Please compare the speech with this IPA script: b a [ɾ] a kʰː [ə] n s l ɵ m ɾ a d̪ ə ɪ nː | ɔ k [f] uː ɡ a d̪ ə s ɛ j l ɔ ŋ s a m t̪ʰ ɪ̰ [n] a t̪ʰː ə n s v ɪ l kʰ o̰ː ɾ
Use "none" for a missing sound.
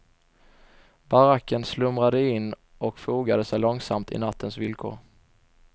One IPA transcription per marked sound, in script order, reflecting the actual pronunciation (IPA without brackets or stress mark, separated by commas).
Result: ɾ, ə, f, n